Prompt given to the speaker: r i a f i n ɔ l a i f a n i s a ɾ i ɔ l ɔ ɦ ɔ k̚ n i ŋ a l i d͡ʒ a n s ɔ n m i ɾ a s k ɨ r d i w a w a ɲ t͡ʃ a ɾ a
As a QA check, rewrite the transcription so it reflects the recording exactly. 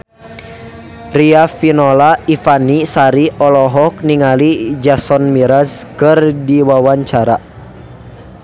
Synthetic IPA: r i a f i n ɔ l a i f a n i s a ɾ i ɔ l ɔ ɦ ɔ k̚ n i ŋ a l i d͡ʒ a s ɔ n m i ɾ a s k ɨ r d i w a w a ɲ t͡ʃ a ɾ a